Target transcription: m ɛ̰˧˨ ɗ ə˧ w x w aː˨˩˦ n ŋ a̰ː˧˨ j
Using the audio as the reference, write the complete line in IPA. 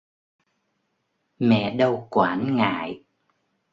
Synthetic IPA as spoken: m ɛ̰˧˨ ɗ ə˧ w k w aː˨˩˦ n ŋ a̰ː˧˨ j